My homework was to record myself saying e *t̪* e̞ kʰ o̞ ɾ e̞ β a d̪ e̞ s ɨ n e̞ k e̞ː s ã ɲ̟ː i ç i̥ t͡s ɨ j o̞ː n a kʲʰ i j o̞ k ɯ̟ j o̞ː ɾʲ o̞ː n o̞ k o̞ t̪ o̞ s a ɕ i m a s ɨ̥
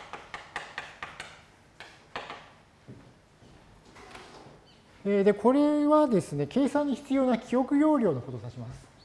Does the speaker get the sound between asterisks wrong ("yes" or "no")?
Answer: yes